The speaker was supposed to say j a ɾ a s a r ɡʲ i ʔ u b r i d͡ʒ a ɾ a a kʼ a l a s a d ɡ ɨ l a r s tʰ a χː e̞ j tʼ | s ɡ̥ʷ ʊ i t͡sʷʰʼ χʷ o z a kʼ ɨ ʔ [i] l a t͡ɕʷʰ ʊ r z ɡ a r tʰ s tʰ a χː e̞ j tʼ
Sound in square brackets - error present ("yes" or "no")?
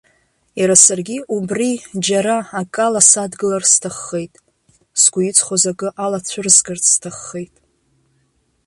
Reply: yes